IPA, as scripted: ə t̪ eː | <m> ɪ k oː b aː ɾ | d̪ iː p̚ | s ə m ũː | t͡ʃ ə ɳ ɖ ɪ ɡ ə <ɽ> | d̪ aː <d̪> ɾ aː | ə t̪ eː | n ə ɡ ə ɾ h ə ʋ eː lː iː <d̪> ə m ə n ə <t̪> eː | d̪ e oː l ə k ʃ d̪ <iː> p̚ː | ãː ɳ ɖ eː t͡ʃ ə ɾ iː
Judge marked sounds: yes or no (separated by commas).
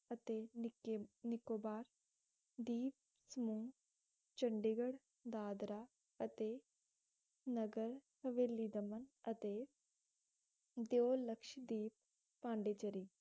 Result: no, yes, yes, yes, yes, yes